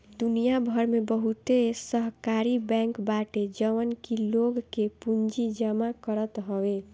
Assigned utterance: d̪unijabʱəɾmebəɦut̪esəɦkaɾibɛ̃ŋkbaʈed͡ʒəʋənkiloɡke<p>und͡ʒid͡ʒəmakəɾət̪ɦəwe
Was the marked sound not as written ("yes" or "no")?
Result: no